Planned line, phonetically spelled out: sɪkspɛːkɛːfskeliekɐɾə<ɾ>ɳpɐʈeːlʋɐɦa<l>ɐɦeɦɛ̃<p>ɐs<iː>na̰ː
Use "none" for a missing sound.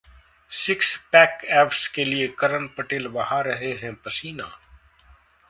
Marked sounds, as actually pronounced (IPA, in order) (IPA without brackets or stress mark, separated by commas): none, ɾ, p, iː